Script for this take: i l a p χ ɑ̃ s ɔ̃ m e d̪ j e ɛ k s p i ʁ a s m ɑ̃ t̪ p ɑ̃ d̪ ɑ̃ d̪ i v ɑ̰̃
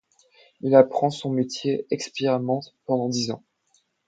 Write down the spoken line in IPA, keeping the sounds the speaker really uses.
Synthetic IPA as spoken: i l a p χ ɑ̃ s ɔ̃ m e t̪ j e ɛ k s p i ʁ a m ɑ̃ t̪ p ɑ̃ d̪ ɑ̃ d̪ i z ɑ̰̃